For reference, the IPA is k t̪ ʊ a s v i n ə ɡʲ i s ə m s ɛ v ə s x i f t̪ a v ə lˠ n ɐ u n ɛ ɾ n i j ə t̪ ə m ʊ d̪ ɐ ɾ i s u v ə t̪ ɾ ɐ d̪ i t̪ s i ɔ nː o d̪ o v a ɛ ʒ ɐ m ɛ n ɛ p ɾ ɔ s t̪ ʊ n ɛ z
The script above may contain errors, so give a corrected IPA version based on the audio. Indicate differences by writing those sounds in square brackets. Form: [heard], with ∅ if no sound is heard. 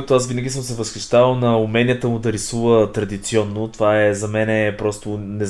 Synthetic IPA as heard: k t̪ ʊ a s v i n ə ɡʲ i s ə m s ɛ v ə s x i [ʃ] t̪ a v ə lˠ n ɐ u [m] ɛ [∅] n i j ə t̪ ə m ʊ d̪ ɐ ɾ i s u v ə t̪ ɾ ɐ d̪ i t̪ s i ɔ nː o [t̪] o v a ɛ [z] ɐ m ɛ n ɛ p ɾ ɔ s t̪ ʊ n ɛ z